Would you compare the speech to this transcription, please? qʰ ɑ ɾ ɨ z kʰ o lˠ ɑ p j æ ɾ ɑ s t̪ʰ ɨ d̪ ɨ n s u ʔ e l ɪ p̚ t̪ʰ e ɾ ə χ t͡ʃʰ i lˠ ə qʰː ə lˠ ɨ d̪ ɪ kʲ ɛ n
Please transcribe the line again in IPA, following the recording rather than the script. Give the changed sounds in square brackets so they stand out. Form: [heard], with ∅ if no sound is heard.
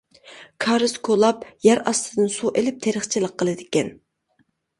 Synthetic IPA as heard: [kʰ] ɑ ɾ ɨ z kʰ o lˠ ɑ p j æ ɾ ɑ s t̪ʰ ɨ d̪ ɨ n s u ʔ e l ɪ p̚ t̪ʰ e ɾ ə χ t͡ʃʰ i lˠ ə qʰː ə lˠ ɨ d̪ ɪ kʲ ɛ n